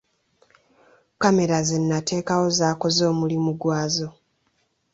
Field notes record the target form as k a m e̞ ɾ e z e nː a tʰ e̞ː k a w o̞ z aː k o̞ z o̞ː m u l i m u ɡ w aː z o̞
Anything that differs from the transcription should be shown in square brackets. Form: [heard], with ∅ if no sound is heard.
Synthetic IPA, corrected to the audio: k a m e̞ ɾ [a] z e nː a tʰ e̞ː k a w o̞ z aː k o̞ z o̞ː m u l i m u ɡ w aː z o̞